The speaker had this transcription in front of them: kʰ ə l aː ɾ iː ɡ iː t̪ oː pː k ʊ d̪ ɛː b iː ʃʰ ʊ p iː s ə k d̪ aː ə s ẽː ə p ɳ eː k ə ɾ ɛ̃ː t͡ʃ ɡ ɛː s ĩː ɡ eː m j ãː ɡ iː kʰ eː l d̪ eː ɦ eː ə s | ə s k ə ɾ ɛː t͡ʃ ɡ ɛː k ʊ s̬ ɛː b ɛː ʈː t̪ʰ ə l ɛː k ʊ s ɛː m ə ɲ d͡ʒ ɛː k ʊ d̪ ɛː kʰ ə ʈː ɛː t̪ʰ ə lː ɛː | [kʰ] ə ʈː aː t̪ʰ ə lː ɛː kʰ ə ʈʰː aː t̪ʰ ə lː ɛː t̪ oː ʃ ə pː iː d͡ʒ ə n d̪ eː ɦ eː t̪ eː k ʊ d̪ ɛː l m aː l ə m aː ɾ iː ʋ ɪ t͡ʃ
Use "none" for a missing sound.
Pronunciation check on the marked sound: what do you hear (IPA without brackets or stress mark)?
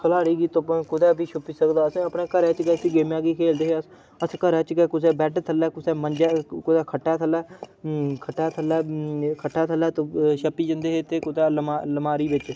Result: kʰ